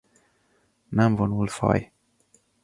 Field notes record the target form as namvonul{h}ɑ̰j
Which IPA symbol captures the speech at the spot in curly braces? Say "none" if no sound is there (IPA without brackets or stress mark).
f